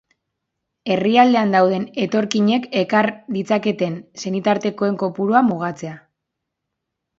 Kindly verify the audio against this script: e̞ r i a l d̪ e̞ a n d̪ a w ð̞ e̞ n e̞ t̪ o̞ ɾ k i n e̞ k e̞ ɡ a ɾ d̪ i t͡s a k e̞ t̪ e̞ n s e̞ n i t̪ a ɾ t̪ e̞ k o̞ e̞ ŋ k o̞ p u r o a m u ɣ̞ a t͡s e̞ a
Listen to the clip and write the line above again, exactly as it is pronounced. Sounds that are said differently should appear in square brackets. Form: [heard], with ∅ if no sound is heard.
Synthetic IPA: e̞ r i a l d̪ e̞ a n d̪ a w ð̞ e̞ n e̞ t̪ o̞ ɾ k i [ɲ] e̞ k e̞ [k] a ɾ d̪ i t͡s a k e̞ t̪ e̞ n s e̞ n i t̪ a ɾ t̪ e̞ k o̞ e̞ ŋ k o̞ p u [ɾ] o a m u ɣ̞ a t͡s e̞ a